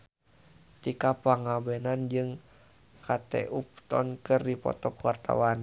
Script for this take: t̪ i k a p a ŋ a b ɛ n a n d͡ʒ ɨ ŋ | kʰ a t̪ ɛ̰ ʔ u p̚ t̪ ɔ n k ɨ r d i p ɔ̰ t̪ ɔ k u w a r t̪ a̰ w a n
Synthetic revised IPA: t̪ i k a p a ŋ a b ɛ n a n d͡ʒ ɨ ŋ | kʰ a t̪ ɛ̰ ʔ u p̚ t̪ ɔ n k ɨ r d i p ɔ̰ t̪ ɔ k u w a r t̪ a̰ w a n